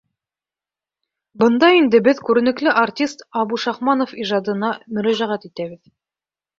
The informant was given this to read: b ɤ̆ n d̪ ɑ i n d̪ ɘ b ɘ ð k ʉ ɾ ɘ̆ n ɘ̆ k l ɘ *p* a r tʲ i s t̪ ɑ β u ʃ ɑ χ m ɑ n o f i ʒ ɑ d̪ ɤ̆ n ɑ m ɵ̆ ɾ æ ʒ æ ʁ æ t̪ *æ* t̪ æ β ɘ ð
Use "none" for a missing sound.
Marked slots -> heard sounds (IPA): ʔ, i

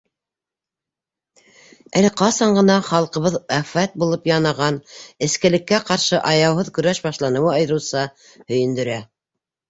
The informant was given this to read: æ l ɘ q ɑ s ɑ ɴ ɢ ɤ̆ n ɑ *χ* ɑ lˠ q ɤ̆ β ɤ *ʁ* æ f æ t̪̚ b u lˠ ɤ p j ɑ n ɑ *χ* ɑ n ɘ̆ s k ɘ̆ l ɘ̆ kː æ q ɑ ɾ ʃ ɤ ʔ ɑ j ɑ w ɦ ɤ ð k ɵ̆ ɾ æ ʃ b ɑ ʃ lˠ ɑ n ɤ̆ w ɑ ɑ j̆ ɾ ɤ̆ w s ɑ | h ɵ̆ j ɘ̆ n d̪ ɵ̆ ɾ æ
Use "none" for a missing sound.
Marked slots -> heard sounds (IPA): χ, ð, ʁ

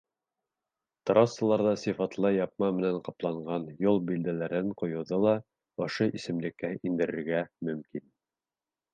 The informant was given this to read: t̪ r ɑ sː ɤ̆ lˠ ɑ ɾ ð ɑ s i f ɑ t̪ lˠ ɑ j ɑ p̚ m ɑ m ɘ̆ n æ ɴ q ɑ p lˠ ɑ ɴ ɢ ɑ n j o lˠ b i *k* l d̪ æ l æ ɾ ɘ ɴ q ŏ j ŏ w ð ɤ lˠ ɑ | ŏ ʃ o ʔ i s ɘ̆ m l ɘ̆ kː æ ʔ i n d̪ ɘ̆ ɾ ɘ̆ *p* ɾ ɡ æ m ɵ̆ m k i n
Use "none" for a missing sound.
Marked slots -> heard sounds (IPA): none, none

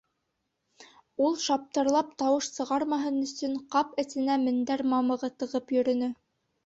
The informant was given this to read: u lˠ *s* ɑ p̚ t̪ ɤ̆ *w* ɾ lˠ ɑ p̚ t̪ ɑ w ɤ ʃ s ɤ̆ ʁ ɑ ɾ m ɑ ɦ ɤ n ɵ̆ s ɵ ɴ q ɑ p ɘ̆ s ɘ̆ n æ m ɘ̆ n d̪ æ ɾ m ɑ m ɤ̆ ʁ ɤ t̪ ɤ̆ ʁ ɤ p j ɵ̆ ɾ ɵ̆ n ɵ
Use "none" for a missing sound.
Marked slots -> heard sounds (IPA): ʃ, none

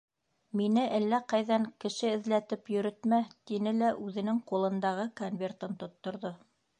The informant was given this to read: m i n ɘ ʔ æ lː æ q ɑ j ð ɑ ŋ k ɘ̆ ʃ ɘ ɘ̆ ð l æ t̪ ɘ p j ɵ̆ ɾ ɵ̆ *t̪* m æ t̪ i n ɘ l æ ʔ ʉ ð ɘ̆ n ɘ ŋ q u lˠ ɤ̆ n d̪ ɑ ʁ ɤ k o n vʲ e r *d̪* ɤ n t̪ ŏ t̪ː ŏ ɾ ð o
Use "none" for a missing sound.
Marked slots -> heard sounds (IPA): t̪, t̪

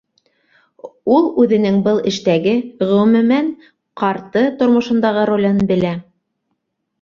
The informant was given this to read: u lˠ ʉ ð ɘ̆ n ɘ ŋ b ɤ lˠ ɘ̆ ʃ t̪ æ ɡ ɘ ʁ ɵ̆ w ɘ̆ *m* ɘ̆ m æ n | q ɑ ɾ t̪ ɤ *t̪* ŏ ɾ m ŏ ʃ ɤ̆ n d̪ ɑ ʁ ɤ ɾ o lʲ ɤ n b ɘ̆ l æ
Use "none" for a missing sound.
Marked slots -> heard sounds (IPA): m, t̪

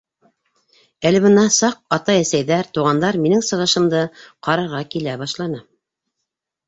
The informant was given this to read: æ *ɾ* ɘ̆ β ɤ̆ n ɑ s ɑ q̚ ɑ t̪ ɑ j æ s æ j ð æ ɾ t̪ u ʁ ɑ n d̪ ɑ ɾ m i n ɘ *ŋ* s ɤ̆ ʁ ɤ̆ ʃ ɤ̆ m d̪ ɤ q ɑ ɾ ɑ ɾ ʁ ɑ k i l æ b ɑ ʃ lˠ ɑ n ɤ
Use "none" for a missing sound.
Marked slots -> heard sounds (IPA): l, ŋ

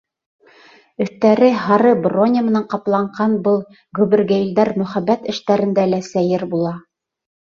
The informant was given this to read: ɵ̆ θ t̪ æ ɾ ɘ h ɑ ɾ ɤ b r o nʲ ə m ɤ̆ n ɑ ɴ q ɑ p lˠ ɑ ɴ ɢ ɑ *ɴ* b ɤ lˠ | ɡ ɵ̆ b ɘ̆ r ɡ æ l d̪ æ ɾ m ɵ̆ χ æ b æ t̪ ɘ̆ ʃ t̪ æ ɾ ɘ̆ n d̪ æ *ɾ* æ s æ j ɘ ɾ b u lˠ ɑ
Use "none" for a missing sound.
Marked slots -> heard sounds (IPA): n, l

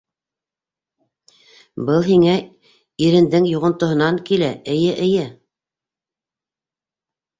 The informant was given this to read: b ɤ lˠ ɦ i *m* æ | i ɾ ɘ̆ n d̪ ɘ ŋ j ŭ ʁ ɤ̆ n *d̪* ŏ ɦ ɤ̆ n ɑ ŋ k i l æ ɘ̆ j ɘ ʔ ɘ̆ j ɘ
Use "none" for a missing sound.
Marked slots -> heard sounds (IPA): ŋ, t̪

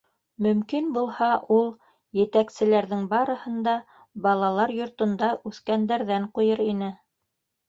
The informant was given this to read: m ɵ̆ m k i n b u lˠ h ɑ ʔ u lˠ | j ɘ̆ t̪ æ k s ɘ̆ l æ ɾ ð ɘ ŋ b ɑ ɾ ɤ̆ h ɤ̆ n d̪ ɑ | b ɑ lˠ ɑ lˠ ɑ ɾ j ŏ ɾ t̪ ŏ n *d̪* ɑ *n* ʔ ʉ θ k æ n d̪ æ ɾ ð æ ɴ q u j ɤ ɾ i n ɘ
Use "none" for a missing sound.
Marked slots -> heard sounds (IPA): d̪, none

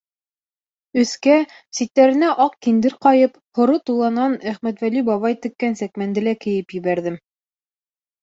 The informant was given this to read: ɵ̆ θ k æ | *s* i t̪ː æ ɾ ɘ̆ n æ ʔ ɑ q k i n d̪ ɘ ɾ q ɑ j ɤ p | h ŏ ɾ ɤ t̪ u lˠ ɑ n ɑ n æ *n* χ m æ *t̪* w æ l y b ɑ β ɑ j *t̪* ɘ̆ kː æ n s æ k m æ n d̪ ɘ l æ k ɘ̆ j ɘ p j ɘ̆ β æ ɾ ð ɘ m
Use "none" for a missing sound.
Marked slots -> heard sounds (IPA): s, none, t̪, t̪

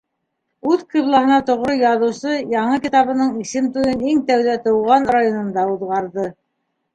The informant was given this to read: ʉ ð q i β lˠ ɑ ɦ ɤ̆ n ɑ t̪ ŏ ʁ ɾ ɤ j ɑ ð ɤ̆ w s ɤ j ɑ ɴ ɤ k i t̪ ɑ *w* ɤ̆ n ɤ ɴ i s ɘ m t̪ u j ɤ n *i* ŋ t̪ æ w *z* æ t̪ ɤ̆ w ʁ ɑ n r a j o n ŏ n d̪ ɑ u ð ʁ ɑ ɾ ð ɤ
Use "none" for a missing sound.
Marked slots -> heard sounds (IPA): β, i, ð

